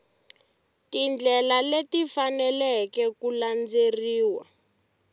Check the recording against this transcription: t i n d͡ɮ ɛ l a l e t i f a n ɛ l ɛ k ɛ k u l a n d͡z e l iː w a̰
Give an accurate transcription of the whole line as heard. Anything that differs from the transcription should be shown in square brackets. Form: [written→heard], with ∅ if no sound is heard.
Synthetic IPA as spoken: t i n d͡ɮ ɛ l a l e t i f a n ɛ l ɛ k ɛ k u l a n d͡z e [l→r] iː w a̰